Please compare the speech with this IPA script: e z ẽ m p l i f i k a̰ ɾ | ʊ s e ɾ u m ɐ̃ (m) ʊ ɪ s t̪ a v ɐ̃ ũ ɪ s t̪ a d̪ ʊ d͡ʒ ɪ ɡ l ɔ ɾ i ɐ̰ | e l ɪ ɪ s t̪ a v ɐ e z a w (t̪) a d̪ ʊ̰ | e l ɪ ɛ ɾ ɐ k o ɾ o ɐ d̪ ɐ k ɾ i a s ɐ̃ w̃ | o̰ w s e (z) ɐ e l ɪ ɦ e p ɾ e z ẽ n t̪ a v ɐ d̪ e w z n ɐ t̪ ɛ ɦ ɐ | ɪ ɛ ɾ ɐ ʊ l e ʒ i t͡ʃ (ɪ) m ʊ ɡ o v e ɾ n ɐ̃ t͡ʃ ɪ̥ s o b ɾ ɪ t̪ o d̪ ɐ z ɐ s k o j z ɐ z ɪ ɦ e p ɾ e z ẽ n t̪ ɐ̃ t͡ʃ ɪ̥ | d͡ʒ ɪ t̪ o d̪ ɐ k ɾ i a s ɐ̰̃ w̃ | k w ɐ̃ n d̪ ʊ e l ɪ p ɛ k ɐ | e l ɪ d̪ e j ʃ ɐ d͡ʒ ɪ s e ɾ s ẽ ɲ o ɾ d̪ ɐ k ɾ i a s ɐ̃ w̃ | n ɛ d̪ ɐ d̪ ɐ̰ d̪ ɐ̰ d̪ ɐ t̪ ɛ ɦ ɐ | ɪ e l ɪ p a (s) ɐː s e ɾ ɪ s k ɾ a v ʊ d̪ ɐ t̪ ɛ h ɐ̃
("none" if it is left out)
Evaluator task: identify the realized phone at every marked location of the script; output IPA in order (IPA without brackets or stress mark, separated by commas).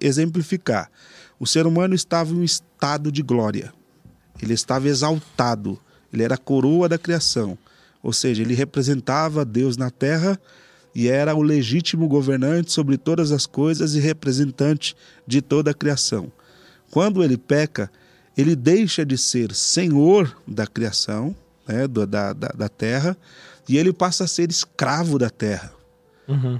n, t̪, ʒ, i, s